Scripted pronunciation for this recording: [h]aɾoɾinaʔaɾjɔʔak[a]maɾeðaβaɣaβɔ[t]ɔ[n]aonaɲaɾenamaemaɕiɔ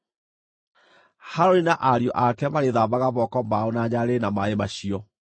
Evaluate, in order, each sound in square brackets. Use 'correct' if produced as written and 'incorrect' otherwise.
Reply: correct, incorrect, incorrect, incorrect

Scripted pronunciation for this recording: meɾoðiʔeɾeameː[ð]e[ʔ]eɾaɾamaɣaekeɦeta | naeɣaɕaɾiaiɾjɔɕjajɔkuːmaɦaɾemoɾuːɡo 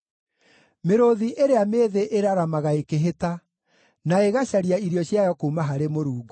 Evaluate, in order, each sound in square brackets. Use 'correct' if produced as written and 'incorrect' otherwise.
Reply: correct, correct

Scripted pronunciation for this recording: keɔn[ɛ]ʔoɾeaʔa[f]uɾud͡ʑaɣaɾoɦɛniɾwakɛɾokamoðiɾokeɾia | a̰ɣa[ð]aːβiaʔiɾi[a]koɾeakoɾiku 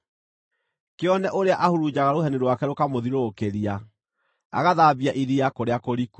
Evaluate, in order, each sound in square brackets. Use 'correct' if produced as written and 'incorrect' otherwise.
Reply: correct, incorrect, correct, correct

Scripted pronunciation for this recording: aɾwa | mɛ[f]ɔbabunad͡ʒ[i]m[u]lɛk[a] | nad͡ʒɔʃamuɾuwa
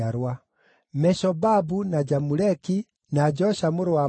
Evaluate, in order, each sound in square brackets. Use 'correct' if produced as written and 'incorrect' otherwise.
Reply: incorrect, incorrect, correct, incorrect

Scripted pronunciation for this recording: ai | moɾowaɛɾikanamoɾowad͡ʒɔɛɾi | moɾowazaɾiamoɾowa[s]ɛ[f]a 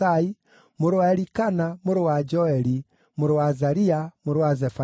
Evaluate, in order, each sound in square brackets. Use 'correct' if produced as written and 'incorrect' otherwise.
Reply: incorrect, correct

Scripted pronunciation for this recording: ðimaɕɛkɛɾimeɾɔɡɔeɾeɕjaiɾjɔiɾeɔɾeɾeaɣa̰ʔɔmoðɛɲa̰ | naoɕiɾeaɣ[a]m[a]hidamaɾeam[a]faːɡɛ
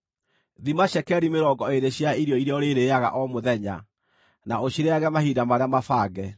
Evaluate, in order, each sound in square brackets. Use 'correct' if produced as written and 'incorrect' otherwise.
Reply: incorrect, correct, correct

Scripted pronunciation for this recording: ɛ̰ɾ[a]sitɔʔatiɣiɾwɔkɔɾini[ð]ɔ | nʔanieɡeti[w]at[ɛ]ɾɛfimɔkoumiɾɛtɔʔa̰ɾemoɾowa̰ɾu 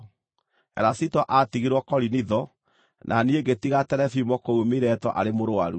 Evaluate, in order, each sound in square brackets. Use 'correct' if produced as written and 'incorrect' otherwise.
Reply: correct, correct, incorrect, correct

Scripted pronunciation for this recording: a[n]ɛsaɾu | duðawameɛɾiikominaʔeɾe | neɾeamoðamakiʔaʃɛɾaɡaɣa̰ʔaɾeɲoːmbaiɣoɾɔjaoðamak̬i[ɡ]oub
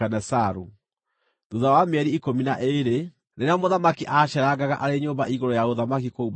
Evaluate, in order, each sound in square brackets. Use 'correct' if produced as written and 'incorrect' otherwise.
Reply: correct, incorrect

